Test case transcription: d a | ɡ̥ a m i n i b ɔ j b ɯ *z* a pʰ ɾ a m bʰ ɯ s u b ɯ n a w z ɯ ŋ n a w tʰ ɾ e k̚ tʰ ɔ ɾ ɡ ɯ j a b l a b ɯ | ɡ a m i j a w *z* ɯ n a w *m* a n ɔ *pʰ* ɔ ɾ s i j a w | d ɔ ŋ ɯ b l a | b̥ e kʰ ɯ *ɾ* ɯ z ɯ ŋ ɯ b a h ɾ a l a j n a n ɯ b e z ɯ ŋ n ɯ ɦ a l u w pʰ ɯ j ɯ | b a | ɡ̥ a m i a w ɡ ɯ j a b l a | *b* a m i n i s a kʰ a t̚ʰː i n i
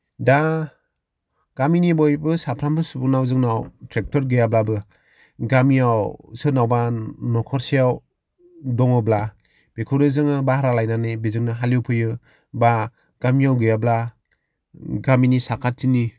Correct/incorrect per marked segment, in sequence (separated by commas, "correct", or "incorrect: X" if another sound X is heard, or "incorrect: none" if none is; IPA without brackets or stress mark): incorrect: s, incorrect: s, incorrect: b, incorrect: kʰ, correct, incorrect: ɡ